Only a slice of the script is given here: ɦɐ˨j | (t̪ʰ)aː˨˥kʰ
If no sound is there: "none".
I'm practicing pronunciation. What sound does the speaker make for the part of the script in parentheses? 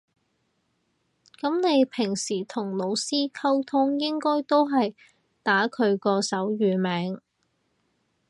t̪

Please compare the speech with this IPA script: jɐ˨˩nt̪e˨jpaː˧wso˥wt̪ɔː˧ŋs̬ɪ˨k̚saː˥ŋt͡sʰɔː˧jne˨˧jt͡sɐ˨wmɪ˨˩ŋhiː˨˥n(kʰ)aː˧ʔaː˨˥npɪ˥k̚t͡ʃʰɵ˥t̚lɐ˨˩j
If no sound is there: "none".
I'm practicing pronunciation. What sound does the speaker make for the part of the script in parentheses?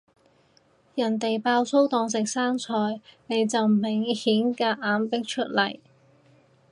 k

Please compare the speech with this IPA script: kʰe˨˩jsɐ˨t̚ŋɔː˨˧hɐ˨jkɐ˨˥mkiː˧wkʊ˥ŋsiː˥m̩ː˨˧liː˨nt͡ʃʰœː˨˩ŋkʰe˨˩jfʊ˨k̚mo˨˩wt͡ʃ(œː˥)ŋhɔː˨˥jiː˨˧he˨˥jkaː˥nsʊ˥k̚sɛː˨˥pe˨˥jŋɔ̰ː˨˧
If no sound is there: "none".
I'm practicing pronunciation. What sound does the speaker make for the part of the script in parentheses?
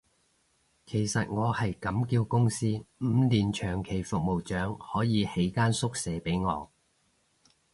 œː˨˥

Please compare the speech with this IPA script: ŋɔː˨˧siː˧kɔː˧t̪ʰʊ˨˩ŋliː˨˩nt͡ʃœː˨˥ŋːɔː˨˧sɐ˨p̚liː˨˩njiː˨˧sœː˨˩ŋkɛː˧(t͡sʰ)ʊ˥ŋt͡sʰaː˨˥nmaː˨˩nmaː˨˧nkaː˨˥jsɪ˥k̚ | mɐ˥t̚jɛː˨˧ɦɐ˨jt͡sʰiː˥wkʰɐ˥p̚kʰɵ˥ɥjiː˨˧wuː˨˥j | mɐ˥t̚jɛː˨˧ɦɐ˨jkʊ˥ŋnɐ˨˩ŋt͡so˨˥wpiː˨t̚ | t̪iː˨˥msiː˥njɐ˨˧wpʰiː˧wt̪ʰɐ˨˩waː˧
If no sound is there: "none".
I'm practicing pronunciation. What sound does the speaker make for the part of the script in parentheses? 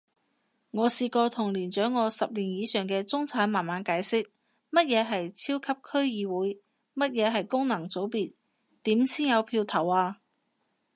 t͡s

